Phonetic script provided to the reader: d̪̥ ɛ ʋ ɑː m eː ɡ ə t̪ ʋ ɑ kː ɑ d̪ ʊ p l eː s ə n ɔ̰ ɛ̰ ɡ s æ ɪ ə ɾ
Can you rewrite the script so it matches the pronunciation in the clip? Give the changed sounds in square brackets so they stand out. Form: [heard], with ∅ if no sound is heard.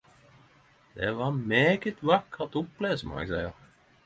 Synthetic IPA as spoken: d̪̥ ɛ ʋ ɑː m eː ɡ ə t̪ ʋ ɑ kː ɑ [t̪] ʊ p l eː s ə [m] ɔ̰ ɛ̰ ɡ s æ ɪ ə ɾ